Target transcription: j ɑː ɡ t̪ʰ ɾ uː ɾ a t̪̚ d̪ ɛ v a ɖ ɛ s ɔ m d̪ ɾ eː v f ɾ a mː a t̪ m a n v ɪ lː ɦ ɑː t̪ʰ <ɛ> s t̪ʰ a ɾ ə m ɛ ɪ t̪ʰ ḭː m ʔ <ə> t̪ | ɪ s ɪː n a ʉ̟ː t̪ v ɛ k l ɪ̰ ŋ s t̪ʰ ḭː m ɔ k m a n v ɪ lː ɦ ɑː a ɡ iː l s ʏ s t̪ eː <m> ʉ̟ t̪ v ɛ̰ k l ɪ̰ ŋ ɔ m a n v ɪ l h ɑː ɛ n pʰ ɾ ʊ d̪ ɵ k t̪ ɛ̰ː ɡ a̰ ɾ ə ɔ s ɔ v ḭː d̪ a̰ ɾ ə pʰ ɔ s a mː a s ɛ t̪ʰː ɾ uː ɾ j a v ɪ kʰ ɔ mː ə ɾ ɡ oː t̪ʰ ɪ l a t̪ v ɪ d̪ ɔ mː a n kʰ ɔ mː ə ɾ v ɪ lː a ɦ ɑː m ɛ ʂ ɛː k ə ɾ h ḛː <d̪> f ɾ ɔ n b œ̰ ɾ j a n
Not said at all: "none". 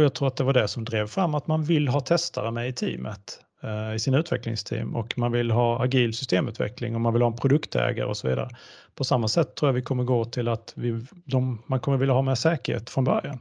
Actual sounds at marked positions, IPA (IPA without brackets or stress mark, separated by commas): ɛ, ə, m, t̪